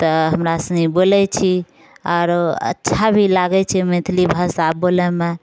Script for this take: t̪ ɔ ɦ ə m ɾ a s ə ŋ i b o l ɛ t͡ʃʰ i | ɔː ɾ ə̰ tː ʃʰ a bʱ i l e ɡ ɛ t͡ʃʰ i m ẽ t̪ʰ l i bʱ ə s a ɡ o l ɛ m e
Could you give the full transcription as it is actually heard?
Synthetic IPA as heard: t̪ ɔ ɦ ə m ɾ a s ə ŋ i b o l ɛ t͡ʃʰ i | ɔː ɾ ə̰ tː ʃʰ a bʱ i l a ɡ ɛ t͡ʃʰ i m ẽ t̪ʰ l i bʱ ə s a b o l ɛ m e